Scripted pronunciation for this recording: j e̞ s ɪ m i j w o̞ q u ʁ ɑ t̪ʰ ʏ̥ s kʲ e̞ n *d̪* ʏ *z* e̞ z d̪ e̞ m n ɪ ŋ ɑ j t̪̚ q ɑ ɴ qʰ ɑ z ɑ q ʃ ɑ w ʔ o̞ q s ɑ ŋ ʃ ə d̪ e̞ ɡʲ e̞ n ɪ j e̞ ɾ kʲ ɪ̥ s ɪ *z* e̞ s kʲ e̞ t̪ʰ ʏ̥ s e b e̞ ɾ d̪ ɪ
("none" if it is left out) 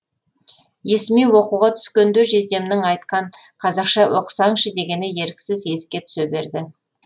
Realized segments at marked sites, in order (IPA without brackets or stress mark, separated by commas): d̪, ʒ, z